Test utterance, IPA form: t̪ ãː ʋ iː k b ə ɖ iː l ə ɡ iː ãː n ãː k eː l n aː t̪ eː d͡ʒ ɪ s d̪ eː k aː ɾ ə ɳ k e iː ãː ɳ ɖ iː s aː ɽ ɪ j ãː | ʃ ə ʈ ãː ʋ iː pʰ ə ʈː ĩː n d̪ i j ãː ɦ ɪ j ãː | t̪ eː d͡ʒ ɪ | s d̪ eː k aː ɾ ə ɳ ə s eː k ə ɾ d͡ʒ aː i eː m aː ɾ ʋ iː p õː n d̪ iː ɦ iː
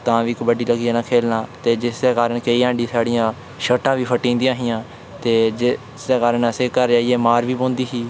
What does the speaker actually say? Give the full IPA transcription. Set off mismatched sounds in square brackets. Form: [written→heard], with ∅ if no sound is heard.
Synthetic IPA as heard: t̪ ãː ʋ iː k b ə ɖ iː l ə ɡ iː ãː n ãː [k→kʰ] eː l n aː t̪ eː d͡ʒ ɪ s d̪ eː k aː ɾ ə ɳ k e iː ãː ɳ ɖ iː s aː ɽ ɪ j ãː | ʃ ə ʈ ãː ʋ iː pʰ ə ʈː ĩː n d̪ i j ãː ɦ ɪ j ãː | t̪ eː d͡ʒ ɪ | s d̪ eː k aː ɾ ə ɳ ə s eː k ə ɾ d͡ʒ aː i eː m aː ɾ ʋ iː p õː n d̪ iː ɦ iː